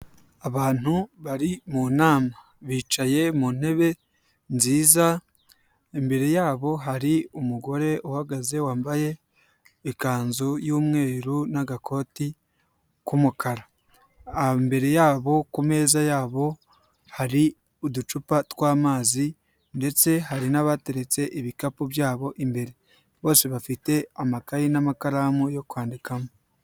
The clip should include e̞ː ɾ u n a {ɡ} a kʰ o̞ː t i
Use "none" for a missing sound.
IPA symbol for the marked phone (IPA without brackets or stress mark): ɡ